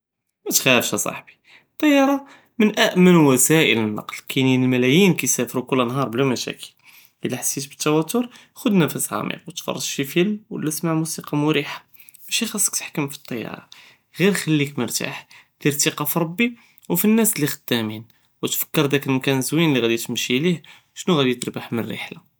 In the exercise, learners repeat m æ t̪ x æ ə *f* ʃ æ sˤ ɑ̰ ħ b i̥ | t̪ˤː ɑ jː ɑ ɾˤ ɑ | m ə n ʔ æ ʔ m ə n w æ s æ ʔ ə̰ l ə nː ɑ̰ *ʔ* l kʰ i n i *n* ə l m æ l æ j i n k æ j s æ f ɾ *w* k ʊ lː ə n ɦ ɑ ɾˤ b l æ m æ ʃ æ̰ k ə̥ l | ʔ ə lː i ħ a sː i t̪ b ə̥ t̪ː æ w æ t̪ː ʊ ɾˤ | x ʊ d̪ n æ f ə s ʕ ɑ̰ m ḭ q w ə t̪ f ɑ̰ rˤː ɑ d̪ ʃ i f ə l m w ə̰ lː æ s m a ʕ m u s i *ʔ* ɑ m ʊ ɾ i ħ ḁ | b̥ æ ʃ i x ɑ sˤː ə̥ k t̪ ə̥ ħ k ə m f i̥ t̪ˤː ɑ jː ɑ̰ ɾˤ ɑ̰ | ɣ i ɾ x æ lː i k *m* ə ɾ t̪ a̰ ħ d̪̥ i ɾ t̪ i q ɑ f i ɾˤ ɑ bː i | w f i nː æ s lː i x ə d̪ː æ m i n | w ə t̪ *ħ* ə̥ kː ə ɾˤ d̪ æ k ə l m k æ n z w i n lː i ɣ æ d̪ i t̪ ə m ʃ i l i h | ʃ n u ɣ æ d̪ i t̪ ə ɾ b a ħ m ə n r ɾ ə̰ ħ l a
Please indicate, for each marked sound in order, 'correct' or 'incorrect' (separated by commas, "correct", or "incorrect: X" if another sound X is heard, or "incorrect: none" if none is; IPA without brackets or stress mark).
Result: correct, incorrect: q, correct, incorrect: u, incorrect: q, correct, incorrect: f